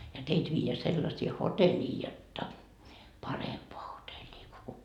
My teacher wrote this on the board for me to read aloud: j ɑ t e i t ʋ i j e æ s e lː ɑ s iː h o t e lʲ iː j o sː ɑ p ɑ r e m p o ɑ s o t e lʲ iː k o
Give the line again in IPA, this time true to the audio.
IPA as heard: j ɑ t e i t ʋ iː j e æ s e lː ɑ s iː h o t e lʲ iː j o tː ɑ p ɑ r e m p o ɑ h o t e lʲ iː k o